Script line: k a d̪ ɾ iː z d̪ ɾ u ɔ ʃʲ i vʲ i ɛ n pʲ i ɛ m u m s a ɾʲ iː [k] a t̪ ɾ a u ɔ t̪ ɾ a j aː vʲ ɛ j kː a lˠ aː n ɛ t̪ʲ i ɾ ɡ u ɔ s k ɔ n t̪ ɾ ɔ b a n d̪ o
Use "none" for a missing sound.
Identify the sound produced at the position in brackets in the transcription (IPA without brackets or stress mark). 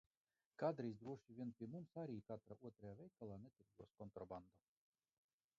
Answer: k